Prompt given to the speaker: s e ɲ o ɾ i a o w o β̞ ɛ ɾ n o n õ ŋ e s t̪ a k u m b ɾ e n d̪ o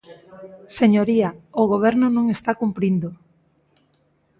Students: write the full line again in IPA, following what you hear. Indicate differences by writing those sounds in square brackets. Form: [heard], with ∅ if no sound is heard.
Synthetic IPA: s e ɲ o ɾ i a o [ɣ] o β̞ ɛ ɾ n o n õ ŋ e s t̪ a k u m [p] ɾ [i] n d̪ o